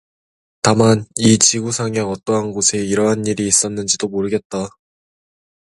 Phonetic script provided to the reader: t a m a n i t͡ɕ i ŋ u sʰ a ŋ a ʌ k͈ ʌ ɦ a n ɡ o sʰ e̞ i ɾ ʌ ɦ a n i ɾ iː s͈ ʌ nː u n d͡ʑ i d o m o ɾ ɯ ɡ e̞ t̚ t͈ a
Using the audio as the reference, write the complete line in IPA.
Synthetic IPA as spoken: t a m a n i t͡ɕ i ɡ u sʰ a ŋ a ʌ t͈ ʌ ɦ a n ɡ o sʰ e̞ i ɾ ʌ ɦ a n i ɾ iː s͈ ʌ nː ɯ n d͡ʑ i d o m o ɾ ɯ ɡ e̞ t̚ t͈ a

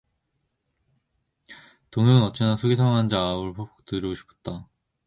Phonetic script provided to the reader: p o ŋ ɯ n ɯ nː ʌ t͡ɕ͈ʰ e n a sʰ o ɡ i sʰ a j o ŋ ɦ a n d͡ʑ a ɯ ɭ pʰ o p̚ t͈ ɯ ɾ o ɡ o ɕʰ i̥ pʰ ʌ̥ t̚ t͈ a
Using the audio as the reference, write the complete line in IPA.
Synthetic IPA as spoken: t o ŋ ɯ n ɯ n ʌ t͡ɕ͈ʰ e n a sʰ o ɡ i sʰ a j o ŋ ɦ a n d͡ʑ a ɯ ɭ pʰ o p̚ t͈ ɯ ɾ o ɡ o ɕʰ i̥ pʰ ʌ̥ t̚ t͈ a

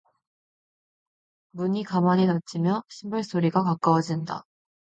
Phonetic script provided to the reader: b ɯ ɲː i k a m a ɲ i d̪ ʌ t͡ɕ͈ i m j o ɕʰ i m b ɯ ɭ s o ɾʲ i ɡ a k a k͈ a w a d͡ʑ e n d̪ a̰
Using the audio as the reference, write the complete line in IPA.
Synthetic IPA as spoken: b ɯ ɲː i k a m a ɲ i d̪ a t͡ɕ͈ i m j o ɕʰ i m b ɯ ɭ s o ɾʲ i ɡ a k a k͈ a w a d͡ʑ i n d̪ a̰

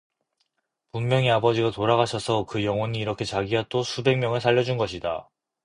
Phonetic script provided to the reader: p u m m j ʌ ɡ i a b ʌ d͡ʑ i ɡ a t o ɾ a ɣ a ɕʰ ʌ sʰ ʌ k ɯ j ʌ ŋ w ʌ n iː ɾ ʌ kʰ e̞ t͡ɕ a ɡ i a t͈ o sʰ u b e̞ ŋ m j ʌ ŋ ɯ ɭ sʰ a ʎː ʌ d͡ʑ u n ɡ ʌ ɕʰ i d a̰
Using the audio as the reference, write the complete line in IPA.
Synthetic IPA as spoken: p u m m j ʌ ŋ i a b ʌ d͡ʑ i ɡ a t o ɾ a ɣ a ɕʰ ʌ sʰ ʌ k ɯ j ʌ ŋ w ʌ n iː ɾ ʌ kʰ e̞ t͡ɕ a ɡ i a t͈ o sʰ u b e̞ ŋ m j ʌ ŋ ɯ ɭ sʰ a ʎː ʌ d͡ʑ u n ɡ ʌ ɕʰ i d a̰

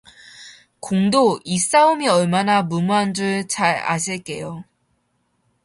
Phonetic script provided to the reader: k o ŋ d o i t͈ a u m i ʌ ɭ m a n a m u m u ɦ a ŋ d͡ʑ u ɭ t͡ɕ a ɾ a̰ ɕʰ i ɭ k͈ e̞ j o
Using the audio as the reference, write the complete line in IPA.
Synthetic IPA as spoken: k o ŋ d o i s͈ a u m i ʌ ɭ m a n a m u m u ɦ a n d͡ʑ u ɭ t͡ɕ a ɾ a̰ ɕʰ i ɭ k͈ e̞ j o

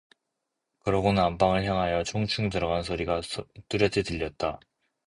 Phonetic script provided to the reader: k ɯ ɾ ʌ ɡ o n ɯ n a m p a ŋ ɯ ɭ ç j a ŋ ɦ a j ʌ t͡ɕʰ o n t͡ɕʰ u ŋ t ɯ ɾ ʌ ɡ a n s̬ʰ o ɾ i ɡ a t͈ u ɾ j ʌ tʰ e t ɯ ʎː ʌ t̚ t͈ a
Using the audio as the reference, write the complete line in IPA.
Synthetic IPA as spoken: k ɯ ɾ ʌ ɡ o n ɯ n a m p a ŋ ɯ ɭ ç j a ŋ ɦ a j ʌ t͡ɕʰ o ŋ t͡ɕʰ u ŋ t ɯ ɾ ʌ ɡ a n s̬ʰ o ɾ i ɡ a t͈ u ɾ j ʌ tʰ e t ɯ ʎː ʌ t̚ t͈ a

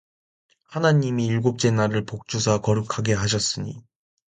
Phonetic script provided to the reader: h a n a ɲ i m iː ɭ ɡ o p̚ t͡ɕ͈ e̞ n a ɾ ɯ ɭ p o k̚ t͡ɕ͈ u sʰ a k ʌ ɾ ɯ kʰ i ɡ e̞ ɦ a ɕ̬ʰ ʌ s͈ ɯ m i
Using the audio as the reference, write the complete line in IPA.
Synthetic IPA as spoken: h a n a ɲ i m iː ɭ ɡ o p̚ t͡ɕ͈ e̞ n a ɾ ɯ ɭ p o k̚ t͡ɕ͈ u sʰ a k ʌ ɾ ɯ kʰ a ɡ e̞ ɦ a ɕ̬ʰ ʌ s͈ ɯ ɲ i

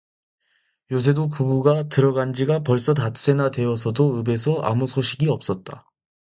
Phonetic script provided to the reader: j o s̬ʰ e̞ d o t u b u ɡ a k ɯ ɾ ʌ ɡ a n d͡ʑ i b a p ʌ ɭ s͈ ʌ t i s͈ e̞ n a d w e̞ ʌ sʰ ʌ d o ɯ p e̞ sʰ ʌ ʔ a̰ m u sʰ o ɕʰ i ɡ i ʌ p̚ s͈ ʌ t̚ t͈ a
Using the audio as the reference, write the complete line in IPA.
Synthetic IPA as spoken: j o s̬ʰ e̞ d o p u b u ɡ a t ɯ ɾ ʌ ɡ a n d͡ʑ i ɡ a p ʌ ɭ s͈ ʌ t a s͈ e̞ n a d w e̞ ʌ sʰ ʌ d o ɯ b e̞ sʰ ʌ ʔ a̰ m u sʰ o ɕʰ i ɡ i ʌ p̚ s͈ ʌ t̚ t͈ a

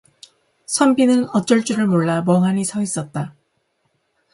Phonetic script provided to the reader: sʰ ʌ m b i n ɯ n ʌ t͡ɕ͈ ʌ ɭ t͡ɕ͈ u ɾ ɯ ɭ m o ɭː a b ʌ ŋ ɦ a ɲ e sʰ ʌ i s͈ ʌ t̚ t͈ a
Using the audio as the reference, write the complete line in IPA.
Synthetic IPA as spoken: sʰ ʌ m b i n ɯ n ʌ t͡ɕ͈ ʌ ɭ t͡ɕ͈ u ɾ ɯ ɭ m o ɭː a m ʌ ŋ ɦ a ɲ i sʰ ʌ i s͈ ʌ t̚ t͈ a

